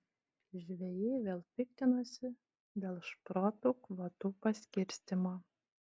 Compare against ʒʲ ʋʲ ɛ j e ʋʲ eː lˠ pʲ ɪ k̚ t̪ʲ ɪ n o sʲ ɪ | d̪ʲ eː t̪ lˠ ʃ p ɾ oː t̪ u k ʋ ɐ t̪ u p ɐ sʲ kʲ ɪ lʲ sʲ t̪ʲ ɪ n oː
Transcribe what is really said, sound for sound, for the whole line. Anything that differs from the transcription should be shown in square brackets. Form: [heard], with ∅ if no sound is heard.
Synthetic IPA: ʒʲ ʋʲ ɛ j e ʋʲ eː lˠ pʲ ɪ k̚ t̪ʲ ɪ n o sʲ ɪ | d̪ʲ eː [∅] lˠ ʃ p ɾ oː t̪ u k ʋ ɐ t̪ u p ɐ sʲ kʲ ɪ [ɾʲ] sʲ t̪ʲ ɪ [m] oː